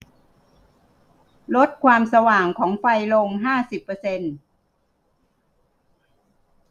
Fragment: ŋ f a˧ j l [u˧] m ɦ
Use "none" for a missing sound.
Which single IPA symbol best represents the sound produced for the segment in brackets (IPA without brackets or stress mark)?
o˧